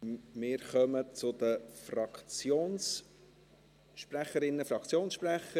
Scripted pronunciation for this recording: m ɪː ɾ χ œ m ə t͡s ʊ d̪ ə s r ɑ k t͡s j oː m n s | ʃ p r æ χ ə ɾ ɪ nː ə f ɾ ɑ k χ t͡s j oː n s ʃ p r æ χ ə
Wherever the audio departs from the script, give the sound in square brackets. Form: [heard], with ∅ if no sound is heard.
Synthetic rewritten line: m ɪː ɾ χ œ m ə t͡s ʊ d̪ ə [f] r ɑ k t͡s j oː [∅] n s | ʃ p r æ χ ə ɾ ɪ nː ə f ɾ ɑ k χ t͡s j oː n s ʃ p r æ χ ə